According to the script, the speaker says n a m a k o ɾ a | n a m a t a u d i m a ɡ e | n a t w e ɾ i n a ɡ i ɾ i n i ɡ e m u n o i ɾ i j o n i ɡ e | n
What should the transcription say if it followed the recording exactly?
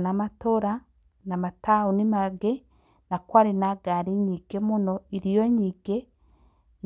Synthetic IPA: n a m a t o ɾ a | n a m a t a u n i m a ɡ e | n a k w a ɾ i n a ɡ a ɾ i ɲ i ɡ e m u n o i ɾ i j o ɲ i ɡ e | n